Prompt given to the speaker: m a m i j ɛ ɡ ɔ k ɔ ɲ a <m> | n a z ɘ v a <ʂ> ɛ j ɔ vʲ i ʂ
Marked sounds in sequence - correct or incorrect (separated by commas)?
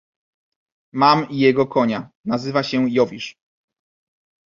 incorrect, incorrect